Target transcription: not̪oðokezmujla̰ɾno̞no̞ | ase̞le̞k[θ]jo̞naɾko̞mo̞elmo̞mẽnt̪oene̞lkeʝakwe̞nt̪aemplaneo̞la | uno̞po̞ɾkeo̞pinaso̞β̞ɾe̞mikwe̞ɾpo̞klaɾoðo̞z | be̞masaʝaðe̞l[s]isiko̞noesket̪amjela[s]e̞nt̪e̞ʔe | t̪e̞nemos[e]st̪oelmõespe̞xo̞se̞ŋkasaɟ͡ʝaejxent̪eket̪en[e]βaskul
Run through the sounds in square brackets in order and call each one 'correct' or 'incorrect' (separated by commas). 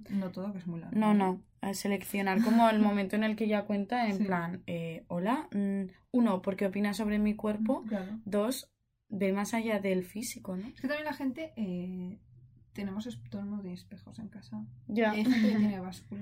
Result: correct, incorrect, incorrect, correct, correct